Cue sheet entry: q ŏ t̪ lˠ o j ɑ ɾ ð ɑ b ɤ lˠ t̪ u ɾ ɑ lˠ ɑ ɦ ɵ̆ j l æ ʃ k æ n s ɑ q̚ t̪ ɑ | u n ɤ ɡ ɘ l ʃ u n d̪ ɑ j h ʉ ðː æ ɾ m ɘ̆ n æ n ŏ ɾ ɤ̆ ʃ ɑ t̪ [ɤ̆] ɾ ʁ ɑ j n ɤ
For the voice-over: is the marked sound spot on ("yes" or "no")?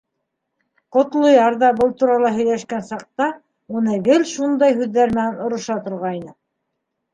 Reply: no